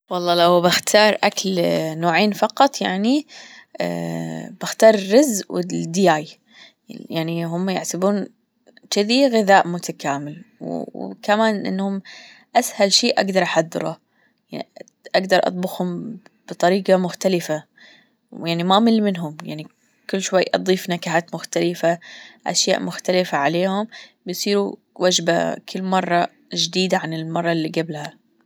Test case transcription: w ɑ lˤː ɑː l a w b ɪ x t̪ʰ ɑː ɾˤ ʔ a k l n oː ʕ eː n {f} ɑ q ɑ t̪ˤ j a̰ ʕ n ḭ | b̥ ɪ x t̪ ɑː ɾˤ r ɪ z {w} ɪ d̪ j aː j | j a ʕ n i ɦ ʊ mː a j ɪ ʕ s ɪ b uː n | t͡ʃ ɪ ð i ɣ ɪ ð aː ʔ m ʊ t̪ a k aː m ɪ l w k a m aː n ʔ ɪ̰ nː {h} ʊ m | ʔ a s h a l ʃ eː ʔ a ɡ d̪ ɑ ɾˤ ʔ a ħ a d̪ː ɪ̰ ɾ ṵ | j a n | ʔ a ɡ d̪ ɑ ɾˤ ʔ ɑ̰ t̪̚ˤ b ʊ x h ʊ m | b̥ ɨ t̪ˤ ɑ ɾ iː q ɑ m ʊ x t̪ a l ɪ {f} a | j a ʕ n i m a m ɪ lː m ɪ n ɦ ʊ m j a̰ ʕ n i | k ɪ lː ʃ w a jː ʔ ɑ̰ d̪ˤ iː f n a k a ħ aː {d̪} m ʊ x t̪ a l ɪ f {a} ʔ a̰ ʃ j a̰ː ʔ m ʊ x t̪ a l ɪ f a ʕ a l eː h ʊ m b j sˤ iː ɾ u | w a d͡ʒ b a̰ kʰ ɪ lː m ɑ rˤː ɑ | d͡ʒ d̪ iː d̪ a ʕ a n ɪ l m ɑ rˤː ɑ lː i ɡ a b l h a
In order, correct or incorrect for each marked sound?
correct, correct, correct, correct, incorrect: t̪, correct

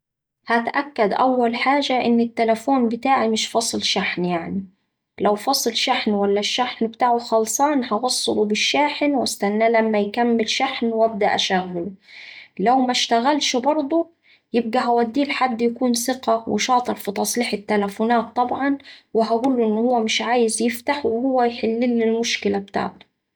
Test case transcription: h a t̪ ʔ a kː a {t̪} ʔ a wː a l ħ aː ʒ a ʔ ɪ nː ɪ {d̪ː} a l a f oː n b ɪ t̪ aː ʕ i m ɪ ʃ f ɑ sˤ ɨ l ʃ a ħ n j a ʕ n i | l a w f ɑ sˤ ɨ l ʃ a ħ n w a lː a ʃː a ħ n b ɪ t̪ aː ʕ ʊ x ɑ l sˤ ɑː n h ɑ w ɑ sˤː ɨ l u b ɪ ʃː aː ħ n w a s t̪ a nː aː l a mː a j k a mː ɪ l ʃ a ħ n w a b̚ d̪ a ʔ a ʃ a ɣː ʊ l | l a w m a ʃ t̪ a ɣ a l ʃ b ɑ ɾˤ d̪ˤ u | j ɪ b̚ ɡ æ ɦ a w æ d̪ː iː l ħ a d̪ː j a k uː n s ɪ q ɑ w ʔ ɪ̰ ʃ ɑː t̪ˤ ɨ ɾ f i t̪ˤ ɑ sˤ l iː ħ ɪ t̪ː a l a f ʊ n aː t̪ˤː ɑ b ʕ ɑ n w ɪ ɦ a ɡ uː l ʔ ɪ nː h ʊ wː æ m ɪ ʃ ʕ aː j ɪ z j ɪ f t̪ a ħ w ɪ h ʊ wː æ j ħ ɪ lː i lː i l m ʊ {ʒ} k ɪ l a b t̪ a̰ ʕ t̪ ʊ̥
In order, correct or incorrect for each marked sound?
incorrect: d̪, incorrect: t̪ː, incorrect: ʃ

